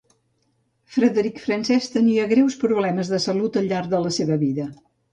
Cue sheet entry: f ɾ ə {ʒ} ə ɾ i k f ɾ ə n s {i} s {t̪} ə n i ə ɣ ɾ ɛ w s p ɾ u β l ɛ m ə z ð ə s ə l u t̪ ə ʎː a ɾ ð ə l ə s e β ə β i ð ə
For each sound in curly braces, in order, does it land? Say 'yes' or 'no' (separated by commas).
no, no, yes